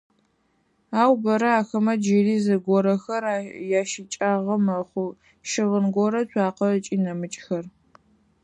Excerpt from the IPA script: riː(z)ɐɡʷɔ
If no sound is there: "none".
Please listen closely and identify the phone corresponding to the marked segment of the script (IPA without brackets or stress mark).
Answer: z